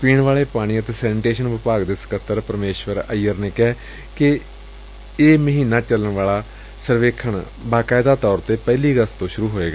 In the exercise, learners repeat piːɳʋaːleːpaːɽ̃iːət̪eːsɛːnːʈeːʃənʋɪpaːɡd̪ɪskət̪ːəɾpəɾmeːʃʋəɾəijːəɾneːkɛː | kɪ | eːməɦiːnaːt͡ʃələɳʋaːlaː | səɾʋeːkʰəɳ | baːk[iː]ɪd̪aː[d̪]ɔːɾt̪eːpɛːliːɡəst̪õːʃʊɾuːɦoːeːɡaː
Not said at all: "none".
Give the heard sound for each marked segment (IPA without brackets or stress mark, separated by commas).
aː, t̪